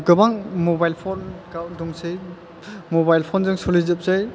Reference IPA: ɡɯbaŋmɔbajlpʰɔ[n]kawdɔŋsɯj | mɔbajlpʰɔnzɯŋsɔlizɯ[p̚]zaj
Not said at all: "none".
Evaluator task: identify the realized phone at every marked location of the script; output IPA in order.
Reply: n, p̚

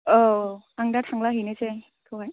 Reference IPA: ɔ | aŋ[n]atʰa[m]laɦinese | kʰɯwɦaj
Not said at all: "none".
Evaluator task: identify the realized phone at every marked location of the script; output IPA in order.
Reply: d, ŋ

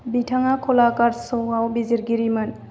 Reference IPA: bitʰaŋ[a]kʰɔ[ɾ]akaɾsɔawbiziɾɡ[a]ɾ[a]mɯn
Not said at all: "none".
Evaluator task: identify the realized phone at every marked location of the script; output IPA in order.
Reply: a, l, i, i

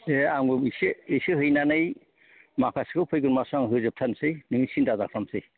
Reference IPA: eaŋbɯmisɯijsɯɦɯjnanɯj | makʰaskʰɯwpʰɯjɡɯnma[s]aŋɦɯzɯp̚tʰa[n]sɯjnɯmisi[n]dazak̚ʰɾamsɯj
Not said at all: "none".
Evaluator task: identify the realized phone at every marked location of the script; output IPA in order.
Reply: s, n, n

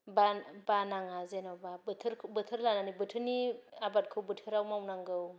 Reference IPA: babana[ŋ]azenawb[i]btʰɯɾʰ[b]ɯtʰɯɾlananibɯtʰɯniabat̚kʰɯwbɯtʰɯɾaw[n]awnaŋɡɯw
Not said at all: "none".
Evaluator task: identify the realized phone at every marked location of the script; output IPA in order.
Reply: ŋ, a, b, m

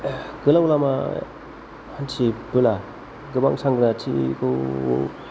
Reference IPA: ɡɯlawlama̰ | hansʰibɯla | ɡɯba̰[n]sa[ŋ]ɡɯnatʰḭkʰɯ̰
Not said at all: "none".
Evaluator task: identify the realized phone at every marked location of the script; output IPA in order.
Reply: ŋ, ŋ

